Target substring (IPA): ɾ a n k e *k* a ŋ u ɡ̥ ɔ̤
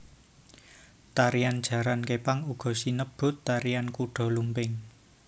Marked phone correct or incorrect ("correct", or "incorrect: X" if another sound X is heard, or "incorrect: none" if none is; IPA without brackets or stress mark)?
incorrect: p